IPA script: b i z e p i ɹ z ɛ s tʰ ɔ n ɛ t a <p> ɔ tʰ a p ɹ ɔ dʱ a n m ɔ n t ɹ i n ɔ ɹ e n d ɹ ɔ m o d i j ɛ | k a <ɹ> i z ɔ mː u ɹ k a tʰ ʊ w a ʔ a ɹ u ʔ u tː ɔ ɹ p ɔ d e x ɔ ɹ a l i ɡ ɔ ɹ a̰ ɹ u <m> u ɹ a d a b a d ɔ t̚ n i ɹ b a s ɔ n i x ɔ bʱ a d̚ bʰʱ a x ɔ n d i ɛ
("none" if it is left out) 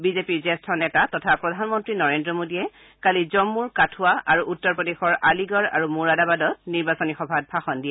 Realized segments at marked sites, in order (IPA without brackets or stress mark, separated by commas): t, l, m